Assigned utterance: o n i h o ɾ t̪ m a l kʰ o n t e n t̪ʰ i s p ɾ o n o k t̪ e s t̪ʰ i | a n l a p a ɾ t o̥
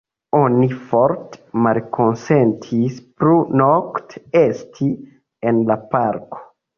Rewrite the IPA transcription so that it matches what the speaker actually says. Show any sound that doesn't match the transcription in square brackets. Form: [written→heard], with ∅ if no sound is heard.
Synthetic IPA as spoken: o n i [h→f] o ɾ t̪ m a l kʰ o n [t→s] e n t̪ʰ i s p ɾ [o→u] n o k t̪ e s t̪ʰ i | [a→e] n l a p a ɾ [t→k] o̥